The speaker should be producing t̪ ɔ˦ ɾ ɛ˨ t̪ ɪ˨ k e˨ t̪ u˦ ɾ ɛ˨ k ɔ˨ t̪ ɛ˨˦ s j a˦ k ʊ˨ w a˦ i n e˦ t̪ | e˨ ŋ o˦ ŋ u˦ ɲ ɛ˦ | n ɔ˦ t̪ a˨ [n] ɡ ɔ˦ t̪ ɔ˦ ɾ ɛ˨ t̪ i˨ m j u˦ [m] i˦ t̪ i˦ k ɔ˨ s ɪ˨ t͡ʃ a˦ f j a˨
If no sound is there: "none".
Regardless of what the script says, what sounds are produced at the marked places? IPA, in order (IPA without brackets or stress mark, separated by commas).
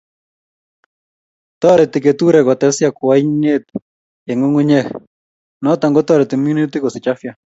ŋ, n